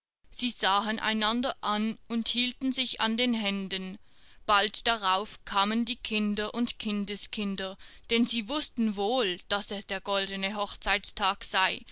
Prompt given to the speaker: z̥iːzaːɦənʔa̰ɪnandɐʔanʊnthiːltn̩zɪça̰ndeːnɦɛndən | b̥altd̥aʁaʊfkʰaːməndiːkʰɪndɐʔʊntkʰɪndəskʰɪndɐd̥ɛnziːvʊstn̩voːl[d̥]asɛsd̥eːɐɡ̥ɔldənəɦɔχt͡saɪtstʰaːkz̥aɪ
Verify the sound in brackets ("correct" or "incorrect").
correct